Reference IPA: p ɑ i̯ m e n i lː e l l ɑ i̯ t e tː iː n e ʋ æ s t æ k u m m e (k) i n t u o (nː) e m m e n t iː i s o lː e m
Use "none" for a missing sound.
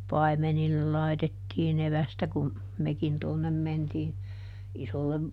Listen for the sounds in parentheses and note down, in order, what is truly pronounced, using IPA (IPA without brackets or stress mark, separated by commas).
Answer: k, nː